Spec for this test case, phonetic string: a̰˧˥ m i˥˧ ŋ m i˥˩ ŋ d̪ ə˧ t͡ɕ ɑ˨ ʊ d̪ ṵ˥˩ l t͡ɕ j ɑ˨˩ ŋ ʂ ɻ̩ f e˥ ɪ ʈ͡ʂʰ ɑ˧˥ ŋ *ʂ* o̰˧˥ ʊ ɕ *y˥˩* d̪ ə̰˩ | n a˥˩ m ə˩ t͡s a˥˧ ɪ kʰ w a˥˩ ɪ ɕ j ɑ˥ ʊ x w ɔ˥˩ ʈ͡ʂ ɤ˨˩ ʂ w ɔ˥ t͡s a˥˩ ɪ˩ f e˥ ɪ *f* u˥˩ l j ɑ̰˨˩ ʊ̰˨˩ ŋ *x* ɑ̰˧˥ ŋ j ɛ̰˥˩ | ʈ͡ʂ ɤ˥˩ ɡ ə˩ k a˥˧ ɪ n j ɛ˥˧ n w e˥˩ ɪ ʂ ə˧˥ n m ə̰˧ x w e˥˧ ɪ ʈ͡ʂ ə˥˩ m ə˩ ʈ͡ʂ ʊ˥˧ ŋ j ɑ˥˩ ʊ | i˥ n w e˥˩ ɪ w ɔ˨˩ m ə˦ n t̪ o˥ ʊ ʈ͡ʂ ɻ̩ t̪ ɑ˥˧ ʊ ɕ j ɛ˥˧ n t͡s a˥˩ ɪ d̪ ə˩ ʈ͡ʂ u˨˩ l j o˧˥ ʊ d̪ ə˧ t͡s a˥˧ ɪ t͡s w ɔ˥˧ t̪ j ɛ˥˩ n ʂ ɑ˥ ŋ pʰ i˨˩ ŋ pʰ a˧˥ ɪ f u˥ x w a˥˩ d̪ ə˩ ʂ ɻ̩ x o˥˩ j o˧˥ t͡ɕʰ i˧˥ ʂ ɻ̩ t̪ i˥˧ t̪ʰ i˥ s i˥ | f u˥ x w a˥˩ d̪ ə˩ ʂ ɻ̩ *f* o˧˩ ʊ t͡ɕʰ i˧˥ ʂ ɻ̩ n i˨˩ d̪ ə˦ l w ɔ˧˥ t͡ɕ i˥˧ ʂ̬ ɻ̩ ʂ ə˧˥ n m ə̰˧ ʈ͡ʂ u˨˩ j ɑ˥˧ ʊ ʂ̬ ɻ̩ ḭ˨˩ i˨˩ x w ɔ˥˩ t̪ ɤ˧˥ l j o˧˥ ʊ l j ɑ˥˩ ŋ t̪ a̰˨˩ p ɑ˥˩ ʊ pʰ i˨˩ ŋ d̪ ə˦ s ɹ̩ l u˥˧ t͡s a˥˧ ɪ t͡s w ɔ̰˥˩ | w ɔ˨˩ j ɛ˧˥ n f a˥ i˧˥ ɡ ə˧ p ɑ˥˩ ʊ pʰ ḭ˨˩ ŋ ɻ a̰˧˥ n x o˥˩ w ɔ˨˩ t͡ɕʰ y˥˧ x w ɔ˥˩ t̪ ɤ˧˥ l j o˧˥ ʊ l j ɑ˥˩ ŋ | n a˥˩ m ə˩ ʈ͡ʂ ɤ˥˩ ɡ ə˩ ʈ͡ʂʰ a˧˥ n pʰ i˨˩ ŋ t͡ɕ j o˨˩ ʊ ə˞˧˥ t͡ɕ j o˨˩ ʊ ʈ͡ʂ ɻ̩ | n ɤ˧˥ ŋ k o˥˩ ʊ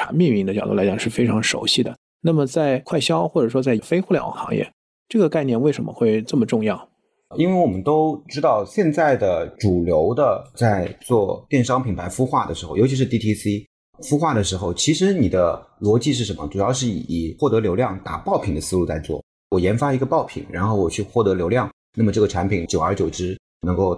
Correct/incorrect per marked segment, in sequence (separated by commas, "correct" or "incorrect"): correct, incorrect, incorrect, correct, incorrect